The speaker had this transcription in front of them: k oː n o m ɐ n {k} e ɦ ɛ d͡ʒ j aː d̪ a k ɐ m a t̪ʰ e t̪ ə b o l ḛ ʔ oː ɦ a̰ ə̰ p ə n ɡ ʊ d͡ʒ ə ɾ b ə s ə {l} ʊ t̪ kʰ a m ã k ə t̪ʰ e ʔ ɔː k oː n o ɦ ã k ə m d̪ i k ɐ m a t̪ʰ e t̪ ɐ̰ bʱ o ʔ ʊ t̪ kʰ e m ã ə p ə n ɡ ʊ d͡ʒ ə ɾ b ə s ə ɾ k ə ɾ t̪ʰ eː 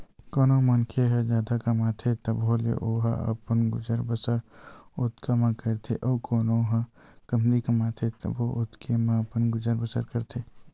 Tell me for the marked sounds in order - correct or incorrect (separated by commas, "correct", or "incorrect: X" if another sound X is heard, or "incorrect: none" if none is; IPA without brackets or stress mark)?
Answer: incorrect: kʰ, incorrect: ɾ